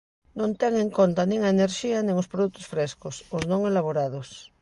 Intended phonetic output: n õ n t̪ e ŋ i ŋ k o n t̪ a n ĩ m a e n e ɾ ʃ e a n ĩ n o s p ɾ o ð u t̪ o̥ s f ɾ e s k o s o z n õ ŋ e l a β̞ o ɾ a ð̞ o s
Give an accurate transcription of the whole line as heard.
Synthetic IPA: n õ n t̪ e ŋ e ŋ k o n t̪ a n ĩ ŋ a e n e ɾ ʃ i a n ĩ ŋ o s p ɾ o ð u t̪ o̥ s f ɾ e s k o s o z n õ ŋ e l a β̞ o ɾ a ð̞ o s

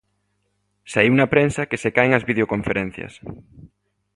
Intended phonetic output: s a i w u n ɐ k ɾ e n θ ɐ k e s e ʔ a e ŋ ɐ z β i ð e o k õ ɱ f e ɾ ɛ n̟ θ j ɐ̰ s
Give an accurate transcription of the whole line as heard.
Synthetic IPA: s a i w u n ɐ p ɾ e n s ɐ k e s e k a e ŋ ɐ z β i ð e o k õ ɱ f e ɾ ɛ n̟ θ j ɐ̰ s

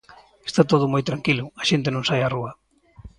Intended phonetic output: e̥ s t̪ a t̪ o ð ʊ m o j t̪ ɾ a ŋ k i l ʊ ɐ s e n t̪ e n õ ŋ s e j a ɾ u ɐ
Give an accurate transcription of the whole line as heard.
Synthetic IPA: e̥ s t̪ a t̪ o ð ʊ m o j t̪ ɾ a ŋ k i l ʊ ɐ ʃ e n t̪ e n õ ŋ s a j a r u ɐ

